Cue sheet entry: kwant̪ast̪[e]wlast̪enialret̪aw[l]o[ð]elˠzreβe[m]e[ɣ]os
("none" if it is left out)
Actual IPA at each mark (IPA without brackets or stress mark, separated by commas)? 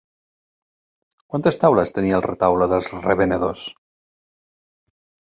a, l, ð, n, ð